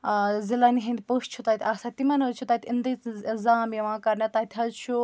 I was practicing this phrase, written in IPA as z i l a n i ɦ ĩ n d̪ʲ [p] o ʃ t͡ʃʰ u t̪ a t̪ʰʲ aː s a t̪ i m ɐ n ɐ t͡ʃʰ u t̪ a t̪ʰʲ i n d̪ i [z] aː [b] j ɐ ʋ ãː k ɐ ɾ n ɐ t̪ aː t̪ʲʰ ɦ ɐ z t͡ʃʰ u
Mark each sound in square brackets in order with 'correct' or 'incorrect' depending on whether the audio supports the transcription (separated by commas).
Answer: correct, correct, incorrect